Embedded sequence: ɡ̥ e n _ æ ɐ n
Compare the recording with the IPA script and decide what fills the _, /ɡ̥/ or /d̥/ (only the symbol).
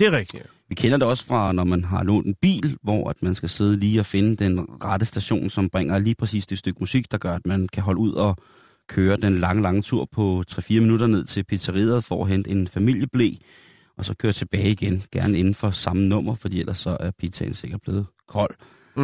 ɡ̥